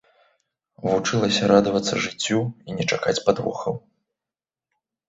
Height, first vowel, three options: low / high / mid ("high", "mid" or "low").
high